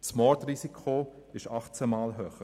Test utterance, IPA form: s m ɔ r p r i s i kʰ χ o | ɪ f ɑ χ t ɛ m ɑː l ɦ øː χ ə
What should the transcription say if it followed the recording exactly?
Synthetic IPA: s m ɔ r t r i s i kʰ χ o | ɪ ʃ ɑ χ t͡s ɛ m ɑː l ɦ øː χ ə